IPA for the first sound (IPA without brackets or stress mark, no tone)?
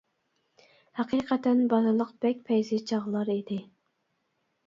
h